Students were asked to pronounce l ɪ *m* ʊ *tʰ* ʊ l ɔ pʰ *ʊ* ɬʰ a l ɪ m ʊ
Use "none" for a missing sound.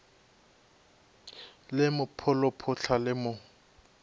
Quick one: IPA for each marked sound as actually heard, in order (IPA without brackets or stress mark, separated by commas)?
m, pʰ, ʊ